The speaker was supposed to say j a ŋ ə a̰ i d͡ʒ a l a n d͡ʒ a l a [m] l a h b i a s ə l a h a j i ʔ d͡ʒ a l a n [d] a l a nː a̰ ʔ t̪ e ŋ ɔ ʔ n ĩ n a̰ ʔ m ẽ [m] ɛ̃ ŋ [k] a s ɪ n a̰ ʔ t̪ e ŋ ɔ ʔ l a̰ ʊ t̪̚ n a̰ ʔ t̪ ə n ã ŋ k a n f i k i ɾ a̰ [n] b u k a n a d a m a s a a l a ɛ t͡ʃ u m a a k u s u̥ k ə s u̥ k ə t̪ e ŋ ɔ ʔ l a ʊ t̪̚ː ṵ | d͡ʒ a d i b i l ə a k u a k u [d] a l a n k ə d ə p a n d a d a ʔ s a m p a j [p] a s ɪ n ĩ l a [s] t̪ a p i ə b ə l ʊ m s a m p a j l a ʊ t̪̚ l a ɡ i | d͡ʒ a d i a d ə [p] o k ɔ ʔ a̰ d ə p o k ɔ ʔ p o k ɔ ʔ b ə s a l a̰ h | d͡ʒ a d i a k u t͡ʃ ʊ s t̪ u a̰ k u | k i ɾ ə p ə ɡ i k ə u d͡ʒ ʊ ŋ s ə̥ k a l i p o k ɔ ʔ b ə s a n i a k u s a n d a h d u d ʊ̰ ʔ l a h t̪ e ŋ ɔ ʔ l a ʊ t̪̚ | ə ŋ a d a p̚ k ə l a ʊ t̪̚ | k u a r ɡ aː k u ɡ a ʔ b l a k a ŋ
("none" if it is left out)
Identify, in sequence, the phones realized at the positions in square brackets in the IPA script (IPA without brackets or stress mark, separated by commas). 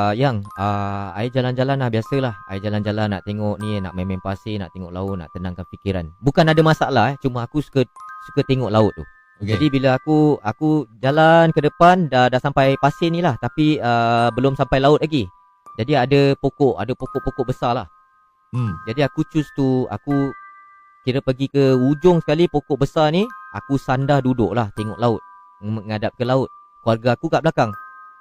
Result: n, d͡ʒ, m, p, n, d͡ʒ, p, h, p